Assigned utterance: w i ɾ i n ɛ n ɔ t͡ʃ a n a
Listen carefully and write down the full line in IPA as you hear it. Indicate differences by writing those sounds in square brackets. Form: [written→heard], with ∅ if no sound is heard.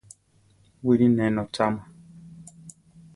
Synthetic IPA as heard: w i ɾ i n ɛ n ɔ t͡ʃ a [n→m] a